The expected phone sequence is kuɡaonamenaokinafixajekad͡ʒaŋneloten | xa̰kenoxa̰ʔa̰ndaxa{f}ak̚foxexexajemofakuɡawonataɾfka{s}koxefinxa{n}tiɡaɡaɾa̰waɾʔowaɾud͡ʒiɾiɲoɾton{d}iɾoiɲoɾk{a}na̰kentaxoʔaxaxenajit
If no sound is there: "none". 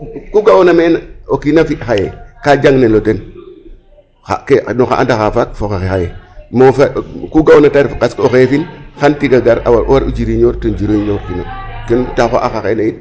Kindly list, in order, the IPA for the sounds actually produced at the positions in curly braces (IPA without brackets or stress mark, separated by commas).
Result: f, s, n, d͡ʒ, i